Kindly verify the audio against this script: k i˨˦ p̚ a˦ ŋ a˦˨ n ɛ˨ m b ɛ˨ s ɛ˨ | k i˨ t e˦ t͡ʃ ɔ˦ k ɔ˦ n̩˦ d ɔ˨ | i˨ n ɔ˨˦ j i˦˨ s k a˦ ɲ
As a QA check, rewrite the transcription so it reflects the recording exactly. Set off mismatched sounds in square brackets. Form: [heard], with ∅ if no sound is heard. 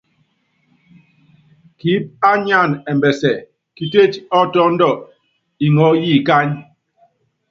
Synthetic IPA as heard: k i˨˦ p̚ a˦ [ɲ] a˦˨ n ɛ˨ m b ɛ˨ s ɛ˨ | k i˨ t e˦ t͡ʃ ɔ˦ [t] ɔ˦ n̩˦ d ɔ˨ | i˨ [ŋ] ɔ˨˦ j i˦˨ [∅] k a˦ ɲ